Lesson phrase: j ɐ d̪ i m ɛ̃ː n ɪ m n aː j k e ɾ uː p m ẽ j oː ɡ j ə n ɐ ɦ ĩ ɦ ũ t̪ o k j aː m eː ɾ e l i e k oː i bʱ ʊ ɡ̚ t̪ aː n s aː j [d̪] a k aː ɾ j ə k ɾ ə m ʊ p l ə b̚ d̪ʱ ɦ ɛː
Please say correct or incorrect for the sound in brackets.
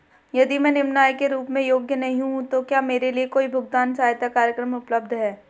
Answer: incorrect